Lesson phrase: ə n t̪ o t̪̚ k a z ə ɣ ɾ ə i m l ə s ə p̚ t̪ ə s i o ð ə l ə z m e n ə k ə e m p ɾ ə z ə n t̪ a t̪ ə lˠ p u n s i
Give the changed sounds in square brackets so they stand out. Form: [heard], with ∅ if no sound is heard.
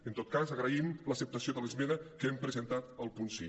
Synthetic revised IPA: ə n t̪ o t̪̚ k a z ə ɣ ɾ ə i m l ə s ə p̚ t̪ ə s i o ð ə l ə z m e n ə k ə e m p ɾ ə z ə n t̪ a t̪ ə lˠ p u n s i